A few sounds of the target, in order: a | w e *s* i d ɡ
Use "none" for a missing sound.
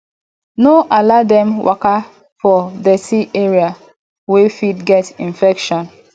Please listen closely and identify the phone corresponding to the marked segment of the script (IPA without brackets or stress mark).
f